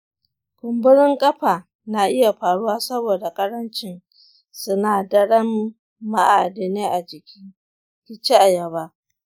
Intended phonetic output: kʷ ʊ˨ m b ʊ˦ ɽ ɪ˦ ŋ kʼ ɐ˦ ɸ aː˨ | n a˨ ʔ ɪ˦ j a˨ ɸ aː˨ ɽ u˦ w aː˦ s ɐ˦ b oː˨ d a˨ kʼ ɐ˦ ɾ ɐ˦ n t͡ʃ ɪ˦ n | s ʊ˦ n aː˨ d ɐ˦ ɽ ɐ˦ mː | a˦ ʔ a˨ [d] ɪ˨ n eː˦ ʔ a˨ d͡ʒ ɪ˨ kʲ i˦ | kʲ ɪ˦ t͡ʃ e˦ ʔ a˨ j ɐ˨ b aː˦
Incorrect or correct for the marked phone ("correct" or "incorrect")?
correct